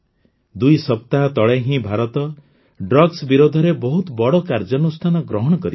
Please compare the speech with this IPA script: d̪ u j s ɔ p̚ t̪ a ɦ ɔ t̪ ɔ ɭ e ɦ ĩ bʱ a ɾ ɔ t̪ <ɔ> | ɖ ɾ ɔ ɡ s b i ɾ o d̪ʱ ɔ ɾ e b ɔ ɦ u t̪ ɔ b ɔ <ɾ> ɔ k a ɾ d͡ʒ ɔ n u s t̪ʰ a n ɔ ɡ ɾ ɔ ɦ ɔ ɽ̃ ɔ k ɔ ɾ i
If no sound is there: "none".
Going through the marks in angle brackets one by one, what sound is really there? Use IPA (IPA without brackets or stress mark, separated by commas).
ɔ, ɽ